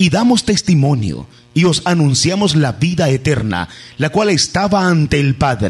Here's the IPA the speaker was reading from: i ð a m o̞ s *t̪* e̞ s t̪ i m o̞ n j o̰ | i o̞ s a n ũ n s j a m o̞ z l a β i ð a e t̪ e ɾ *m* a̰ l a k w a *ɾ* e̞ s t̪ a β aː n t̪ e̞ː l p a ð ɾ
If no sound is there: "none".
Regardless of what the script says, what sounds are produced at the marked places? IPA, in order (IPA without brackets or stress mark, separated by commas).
t̪, n, l